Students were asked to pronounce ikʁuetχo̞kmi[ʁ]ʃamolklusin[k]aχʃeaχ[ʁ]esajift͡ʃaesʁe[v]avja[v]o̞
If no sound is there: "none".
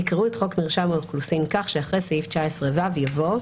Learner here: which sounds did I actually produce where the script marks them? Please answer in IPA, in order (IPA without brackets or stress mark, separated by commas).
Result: ʁ, k, ʁ, v, v